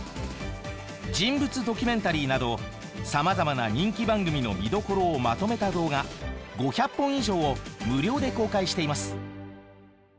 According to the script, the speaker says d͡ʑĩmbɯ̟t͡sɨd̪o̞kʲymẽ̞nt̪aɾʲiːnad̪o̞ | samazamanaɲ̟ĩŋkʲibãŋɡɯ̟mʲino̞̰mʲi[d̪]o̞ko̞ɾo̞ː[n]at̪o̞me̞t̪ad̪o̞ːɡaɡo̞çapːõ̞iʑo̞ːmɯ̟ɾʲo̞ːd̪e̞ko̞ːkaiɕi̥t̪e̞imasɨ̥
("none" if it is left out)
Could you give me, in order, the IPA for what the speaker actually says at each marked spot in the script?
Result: d̪, m

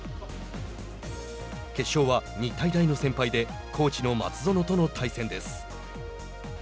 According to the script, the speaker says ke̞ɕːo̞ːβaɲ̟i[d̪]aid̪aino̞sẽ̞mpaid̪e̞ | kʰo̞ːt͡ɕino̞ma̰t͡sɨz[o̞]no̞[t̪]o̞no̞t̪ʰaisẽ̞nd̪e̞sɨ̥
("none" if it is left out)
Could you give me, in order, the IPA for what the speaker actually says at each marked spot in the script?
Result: t̪, o̞, t̪

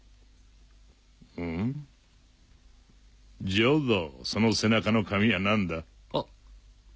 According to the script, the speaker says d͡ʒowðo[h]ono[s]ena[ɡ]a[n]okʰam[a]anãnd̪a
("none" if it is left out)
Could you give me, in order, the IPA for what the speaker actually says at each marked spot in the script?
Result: s, s, k, n, i

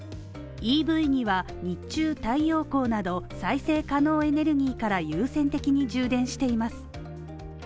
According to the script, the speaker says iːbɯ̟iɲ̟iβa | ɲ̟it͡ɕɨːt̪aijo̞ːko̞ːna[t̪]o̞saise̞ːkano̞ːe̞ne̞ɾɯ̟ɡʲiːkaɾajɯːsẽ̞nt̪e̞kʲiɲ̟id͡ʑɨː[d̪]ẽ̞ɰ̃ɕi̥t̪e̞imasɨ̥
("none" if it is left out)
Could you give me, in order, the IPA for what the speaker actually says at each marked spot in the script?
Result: d̪, d̪

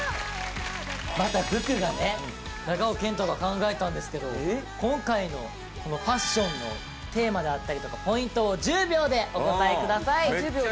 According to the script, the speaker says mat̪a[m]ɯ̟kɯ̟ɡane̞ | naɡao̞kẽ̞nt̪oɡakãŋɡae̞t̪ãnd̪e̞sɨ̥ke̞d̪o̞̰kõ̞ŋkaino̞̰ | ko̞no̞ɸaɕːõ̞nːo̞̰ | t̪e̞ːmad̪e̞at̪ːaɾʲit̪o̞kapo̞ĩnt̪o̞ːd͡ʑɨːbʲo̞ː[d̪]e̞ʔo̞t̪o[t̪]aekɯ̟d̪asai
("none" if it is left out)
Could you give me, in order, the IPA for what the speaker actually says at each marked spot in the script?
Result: b, d̪, t̪

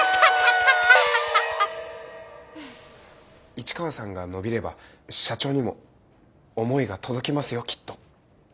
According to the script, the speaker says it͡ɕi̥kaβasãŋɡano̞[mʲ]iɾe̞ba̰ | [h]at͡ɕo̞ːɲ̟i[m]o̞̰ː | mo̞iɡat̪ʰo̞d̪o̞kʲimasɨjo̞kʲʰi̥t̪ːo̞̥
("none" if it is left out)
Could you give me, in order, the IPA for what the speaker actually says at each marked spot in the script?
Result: bʲ, ɕ, m

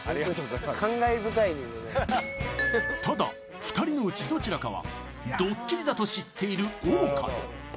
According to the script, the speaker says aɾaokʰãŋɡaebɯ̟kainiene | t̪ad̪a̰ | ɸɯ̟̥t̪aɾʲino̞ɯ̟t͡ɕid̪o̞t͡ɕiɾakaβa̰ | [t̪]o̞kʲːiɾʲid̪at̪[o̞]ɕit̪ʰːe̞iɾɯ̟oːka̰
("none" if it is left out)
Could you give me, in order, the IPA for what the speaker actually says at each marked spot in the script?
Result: d̪, o̞

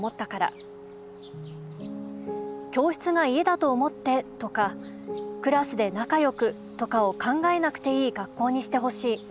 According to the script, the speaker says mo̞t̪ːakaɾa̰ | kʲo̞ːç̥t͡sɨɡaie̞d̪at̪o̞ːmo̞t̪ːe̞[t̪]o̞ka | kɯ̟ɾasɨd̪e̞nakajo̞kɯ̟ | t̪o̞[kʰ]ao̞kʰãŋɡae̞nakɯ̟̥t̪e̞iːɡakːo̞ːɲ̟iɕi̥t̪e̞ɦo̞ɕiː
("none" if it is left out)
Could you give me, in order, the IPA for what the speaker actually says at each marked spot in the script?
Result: t̪, k

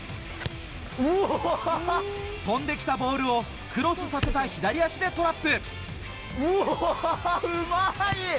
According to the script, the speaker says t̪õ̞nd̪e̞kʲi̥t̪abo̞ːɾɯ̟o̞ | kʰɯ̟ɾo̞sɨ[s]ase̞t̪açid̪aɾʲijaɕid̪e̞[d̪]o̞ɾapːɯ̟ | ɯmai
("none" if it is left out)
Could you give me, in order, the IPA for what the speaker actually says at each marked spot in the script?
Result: s, t̪

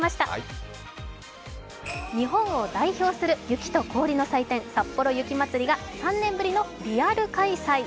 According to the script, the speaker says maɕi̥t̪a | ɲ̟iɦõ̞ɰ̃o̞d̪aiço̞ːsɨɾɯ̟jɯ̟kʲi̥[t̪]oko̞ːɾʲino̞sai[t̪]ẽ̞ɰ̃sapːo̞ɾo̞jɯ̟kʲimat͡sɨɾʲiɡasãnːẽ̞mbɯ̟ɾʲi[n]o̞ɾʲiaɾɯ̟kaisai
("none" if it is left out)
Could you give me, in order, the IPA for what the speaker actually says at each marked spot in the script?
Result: t̪, t̪, n

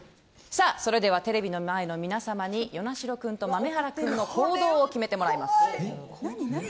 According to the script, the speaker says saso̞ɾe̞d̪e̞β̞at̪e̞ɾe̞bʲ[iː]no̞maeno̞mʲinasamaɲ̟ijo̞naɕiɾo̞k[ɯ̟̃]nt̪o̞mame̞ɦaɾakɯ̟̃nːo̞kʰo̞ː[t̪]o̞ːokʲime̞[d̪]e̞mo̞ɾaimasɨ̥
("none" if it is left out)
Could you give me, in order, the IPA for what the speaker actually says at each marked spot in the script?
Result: i, ɯ̟̃, d̪, t̪

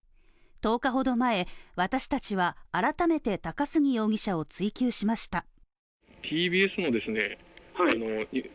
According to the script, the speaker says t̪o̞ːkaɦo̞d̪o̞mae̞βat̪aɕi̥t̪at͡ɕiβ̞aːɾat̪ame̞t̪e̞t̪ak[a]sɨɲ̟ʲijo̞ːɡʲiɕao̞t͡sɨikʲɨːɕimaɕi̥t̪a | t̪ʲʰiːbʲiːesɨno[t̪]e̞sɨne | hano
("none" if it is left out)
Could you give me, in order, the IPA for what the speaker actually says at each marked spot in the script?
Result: a, d̪

